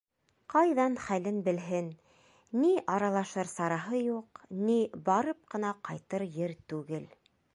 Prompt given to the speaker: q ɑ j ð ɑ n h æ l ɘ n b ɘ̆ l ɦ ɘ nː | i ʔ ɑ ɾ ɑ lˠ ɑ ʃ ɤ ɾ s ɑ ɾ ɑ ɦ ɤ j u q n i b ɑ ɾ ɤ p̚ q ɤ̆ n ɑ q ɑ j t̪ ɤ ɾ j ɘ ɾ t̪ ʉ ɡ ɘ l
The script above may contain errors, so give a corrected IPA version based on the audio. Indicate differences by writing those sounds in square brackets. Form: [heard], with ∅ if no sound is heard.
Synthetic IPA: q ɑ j ð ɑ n [χ] æ l ɘ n b ɘ̆ l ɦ ɘ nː | i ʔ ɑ ɾ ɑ lˠ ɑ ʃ ɤ ɾ s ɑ ɾ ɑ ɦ ɤ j u q n i b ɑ ɾ ɤ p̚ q ɤ̆ n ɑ q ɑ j t̪ ɤ ɾ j ɘ ɾ t̪ ʉ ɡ ɘ l